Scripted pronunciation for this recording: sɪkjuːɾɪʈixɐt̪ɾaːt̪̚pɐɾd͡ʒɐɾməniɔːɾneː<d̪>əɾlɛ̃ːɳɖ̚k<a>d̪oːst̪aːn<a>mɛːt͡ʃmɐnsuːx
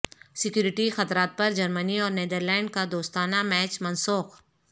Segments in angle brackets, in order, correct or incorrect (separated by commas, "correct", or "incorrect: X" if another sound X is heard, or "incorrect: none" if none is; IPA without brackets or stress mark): correct, correct, correct